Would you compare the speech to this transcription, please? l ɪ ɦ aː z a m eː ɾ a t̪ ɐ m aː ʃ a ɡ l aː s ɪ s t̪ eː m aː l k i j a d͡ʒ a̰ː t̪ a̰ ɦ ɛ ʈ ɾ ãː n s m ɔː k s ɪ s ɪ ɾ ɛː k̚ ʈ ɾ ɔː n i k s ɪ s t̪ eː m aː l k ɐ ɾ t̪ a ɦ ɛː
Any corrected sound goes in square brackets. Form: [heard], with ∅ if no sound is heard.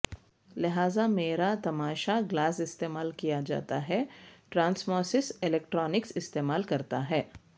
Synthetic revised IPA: l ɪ ɦ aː z a m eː ɾ a t̪ ɐ m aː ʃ a ɡ l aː s ɪ s t̪ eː m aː l k i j a d͡ʒ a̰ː t̪ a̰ ɦ ɛ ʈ ɾ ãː n s m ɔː [∅] s ɪ s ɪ [l] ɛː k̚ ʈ ɾ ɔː n [ɪ] k s ɪ s t̪ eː m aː l k ɐ ɾ t̪ a ɦ ɛː